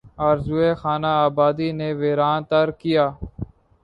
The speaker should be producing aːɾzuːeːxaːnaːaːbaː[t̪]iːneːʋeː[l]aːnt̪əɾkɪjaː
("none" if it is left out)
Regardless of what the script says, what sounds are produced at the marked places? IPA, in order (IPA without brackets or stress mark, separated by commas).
d̪, ɾ